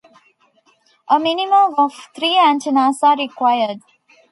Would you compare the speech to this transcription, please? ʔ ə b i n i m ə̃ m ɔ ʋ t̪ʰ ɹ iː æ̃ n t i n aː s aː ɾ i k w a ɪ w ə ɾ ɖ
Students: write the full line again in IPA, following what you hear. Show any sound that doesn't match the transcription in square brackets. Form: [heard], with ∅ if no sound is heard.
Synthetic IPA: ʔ ə [m] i n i m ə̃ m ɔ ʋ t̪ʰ [ɾ] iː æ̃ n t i n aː s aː ɾ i k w a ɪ [∅] ə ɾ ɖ